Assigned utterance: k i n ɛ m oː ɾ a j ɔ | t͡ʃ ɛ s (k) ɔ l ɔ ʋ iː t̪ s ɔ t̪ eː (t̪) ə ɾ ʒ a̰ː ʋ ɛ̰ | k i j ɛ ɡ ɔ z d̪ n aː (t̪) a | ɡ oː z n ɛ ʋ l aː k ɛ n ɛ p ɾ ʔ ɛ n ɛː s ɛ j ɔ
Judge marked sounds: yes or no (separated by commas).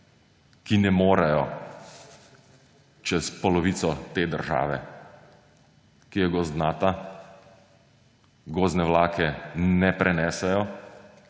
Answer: no, no, yes